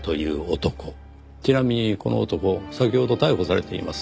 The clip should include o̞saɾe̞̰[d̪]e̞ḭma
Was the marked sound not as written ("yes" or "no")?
yes